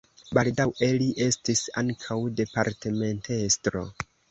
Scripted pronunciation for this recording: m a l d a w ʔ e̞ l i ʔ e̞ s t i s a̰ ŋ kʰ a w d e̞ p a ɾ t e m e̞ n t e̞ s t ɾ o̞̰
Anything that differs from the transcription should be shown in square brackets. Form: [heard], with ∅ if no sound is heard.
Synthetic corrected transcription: [b] a l d a w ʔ e̞ l i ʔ e̞ s t i s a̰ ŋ kʰ a w d e̞ p a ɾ t e m e̞ n t e̞ s t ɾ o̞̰